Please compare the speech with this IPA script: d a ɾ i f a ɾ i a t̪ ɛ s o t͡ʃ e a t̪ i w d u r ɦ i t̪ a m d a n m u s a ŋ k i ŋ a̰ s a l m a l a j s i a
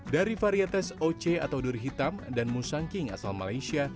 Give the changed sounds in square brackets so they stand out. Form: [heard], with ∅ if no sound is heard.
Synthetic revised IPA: d a ɾ i f a ɾ i a t̪ ɛ s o t͡ʃ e a t̪ [a] w d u r ɦ i t̪ a m d a n m u s a ŋ k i ŋ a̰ s a l m a l a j s i a